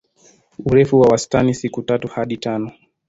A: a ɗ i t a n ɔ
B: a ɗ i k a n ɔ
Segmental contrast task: A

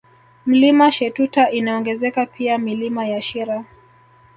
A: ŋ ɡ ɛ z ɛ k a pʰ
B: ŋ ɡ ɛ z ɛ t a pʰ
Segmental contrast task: A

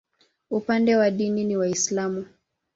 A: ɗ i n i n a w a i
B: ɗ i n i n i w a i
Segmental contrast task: B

